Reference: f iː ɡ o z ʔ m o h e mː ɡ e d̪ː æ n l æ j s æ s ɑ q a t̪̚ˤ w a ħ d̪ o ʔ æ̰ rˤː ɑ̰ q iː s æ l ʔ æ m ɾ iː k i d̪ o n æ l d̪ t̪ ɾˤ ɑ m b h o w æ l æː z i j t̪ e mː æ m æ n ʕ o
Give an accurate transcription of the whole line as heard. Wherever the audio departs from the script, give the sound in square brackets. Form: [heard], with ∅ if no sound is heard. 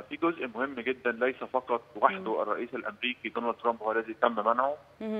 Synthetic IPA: f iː ɡ o z ʔ m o h e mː ɡ e d̪ː æ n l æ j s æ [f] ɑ q [ɑ] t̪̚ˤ w a ħ d̪ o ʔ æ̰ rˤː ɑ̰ [ʔ] iː s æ l ʔ æ m ɾ iː k i d̪ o n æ l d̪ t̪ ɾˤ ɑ m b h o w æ l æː z i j t̪ [æ] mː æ m æ n ʕ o